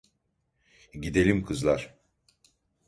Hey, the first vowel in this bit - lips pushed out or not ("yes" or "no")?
no